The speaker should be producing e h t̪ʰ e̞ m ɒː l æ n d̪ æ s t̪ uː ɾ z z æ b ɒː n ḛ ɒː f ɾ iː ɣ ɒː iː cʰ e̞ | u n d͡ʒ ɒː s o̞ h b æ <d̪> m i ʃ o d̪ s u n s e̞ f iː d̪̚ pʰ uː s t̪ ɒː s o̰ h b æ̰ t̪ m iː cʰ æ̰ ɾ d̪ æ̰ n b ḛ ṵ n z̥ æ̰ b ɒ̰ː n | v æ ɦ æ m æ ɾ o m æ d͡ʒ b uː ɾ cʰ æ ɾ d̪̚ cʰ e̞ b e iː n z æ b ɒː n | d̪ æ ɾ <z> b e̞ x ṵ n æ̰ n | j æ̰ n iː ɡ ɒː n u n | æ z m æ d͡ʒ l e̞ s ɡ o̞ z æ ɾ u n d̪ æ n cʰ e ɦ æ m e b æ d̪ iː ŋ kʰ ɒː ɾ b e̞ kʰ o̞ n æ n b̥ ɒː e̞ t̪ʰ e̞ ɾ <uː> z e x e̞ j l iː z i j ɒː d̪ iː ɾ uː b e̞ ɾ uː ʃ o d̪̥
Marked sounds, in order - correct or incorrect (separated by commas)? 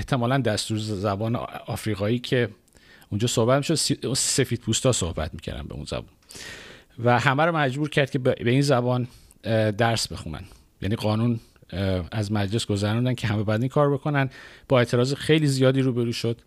incorrect, incorrect, incorrect